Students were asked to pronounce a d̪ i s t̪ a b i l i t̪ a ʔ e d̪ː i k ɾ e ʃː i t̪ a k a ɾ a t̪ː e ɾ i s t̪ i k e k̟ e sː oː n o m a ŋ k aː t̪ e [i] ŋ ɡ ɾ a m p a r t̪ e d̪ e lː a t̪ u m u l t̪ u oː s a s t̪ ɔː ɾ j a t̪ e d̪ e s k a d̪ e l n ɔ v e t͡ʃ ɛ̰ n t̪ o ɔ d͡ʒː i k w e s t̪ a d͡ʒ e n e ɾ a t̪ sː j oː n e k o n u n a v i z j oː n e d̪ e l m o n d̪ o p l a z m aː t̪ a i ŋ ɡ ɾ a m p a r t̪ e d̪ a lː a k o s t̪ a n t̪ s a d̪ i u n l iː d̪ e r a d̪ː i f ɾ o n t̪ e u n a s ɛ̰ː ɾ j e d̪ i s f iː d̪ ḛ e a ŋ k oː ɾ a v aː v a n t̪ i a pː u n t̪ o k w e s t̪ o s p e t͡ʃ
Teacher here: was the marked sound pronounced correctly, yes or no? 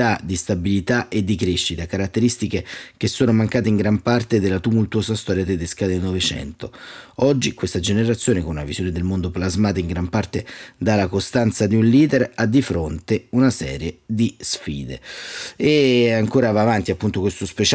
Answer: yes